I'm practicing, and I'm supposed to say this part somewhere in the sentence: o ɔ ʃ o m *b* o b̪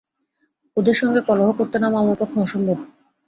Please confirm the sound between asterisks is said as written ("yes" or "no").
yes